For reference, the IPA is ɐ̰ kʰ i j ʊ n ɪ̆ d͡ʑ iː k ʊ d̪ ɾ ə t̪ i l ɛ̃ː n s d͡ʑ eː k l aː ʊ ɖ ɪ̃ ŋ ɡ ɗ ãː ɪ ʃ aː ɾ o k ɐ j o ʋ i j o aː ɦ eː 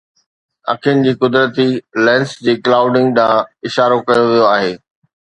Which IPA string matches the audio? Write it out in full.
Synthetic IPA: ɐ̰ kʰ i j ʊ n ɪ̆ d͡ʑ iː k ʊ d̪ ɾ ə t̪ i l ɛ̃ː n s d͡ʑ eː k l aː ʊ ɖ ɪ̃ ŋ ɡ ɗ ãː ɪ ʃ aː ɾ o k ɐ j o ʋ i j o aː ɦ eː

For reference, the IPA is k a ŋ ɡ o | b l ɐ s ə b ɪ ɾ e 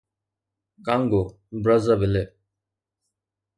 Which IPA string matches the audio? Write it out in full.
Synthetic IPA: k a ŋ ɡ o | b ɾ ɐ z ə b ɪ l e

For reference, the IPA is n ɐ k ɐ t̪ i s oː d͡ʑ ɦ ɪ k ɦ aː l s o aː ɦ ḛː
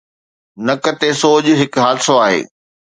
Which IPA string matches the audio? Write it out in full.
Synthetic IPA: n ɐ k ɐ t̪ e s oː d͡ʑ ɦ ɪ k ɦ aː l s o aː ɦ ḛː

